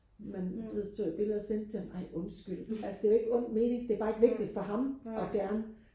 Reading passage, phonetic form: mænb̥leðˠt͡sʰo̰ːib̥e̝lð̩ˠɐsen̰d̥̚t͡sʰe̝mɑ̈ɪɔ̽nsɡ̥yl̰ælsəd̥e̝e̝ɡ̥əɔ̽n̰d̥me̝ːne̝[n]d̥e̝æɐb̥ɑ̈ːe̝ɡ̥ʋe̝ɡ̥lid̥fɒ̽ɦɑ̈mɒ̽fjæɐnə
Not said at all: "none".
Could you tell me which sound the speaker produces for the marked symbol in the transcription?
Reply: ŋ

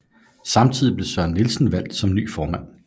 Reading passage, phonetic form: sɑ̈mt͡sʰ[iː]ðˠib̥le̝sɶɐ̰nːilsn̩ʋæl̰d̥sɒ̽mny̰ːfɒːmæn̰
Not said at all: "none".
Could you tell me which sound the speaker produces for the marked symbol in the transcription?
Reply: i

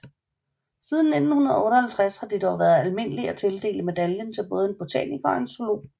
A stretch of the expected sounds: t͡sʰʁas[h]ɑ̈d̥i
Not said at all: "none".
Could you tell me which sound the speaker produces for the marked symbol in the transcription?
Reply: h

